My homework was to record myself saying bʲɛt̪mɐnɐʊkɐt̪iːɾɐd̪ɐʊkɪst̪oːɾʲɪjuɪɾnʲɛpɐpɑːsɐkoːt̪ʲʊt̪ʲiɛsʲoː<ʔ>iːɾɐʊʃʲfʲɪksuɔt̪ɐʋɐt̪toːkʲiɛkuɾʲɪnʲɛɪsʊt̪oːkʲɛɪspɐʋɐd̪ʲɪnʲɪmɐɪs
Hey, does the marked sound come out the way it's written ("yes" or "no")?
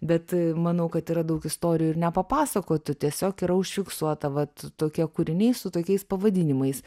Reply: no